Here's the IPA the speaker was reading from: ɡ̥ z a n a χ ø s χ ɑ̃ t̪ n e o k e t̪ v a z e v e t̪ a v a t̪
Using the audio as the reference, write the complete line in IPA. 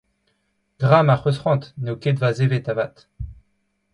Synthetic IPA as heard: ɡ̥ ʁ a m a χ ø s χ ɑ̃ t̪ n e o k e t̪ v a z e v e t̪ a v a t̪